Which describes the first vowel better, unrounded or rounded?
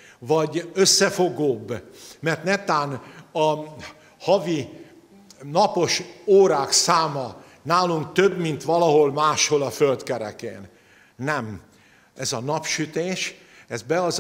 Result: rounded